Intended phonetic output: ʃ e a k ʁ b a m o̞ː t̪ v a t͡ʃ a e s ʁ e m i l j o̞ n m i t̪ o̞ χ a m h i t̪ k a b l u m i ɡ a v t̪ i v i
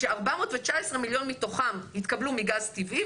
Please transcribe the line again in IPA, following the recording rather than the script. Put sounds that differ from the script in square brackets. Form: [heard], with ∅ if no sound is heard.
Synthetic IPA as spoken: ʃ e a [∅] ʁ b a m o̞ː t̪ v [e] t͡ʃ a e s ʁ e m i l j o̞ n m i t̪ o̞ χ a m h i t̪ k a b l u m i ɡ a [z] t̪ i v i